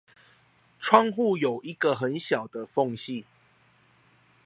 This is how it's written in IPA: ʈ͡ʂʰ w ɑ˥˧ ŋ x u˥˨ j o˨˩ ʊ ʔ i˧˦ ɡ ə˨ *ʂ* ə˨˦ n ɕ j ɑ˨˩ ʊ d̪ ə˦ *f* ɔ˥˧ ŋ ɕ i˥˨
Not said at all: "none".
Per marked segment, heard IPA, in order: x, f

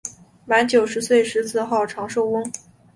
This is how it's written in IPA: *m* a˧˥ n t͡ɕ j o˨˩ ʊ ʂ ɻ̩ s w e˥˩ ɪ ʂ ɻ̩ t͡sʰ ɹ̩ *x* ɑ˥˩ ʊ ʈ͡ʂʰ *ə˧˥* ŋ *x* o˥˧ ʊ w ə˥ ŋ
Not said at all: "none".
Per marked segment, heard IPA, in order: m, x, ɑ˧˥, ʂ

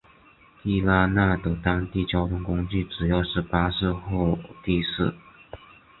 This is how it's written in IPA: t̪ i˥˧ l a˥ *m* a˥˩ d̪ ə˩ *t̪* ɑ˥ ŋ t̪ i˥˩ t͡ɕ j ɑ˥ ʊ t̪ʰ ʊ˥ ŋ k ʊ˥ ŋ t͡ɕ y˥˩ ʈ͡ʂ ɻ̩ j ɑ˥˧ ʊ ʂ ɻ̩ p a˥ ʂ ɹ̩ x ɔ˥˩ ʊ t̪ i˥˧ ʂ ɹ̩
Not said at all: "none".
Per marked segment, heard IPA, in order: n, t̪

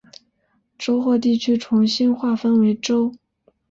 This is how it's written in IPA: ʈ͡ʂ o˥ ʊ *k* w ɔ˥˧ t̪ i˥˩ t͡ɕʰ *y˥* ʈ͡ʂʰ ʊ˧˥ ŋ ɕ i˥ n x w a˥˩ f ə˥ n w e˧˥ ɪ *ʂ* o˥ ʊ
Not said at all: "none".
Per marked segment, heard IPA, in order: x, y˥, ʈ͡ʂ

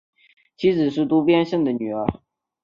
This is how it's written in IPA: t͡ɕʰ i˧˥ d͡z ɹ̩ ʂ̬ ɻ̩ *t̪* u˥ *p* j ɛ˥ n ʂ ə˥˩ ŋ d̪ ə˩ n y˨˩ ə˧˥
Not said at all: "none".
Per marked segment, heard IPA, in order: t̪, p

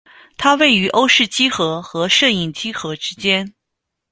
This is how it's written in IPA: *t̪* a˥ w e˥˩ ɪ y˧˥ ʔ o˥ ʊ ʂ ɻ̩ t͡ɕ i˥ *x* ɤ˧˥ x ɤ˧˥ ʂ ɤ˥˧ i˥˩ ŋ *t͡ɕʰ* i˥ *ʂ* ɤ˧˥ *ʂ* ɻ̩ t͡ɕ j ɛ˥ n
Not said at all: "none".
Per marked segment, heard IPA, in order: t̪ʰ, x, t͡ɕ, x, ʈ͡ʂ

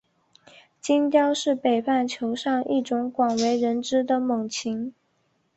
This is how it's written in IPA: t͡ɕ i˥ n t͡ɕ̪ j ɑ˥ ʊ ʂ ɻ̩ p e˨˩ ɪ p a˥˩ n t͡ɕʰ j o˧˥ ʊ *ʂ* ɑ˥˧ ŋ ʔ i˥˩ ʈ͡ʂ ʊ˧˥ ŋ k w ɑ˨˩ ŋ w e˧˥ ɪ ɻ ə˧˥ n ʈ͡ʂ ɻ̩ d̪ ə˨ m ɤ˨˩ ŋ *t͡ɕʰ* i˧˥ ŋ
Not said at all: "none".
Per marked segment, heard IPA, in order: ʂ, t͡ɕʰ

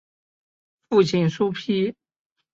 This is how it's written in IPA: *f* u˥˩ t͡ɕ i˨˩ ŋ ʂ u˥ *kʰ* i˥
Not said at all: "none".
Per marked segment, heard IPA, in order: f, pʰ

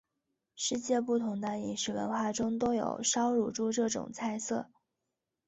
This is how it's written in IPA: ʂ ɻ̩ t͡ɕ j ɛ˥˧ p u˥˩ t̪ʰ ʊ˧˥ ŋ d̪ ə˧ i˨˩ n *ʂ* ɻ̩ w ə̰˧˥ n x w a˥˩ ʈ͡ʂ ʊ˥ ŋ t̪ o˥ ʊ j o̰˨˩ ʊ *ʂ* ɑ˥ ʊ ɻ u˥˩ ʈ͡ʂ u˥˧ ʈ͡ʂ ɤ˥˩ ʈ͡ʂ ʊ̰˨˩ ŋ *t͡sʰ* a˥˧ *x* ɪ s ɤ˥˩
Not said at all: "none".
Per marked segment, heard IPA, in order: ʂ, ʂ, t͡sʰ, none

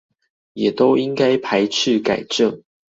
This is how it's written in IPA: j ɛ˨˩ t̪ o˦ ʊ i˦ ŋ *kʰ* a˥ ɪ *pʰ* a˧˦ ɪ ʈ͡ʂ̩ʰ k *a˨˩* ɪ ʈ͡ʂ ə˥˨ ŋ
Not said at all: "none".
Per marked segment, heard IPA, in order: k, pʰ, a˨˩

